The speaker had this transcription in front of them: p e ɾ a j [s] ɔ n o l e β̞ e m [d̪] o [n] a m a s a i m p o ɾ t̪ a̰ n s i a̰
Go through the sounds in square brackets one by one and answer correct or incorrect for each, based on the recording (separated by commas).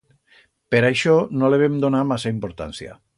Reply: incorrect, correct, correct